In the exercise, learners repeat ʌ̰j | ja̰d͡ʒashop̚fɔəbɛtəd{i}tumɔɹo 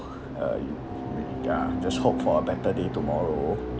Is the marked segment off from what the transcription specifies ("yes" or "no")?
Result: yes